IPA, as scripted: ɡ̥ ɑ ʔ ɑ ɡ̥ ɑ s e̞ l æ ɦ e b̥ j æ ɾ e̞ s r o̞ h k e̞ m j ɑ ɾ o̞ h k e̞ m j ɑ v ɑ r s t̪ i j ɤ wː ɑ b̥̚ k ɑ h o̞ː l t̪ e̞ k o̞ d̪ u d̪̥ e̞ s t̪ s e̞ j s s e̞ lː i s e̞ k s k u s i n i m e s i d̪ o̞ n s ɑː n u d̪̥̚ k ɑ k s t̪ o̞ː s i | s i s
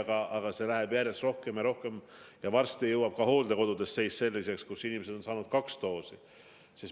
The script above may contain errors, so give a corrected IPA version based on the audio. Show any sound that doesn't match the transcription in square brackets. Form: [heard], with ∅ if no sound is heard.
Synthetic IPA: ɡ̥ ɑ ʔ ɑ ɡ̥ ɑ s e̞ l æ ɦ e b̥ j æ ɾ e̞ s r o̞ h k e̞ m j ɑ ɾ o̞ h k e̞ m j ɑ v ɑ r s t̪ i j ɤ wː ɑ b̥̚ k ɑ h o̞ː l [d̪] e̞ k o̞ d̪ u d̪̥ e̞ s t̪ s e̞ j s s e̞ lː i s e̞ k s k u s i n i m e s [e] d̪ o̞ n s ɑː n u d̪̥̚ k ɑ k s t̪ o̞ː s i | s i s